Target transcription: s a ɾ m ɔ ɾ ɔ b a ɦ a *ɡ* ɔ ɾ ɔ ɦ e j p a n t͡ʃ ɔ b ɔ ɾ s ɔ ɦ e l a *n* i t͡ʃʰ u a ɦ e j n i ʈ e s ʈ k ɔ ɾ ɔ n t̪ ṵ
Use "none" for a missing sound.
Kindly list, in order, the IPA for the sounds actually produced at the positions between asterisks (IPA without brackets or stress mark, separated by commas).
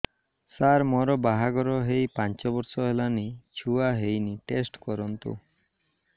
ɡ, n